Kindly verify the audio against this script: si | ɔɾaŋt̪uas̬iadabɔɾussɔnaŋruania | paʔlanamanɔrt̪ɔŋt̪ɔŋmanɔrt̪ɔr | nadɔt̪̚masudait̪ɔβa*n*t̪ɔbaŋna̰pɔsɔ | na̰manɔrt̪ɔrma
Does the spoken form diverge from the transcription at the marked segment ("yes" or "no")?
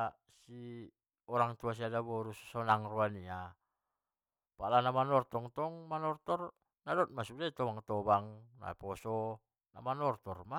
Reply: yes